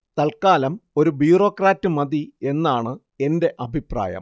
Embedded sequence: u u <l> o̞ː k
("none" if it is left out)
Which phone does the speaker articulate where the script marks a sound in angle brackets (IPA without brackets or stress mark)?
r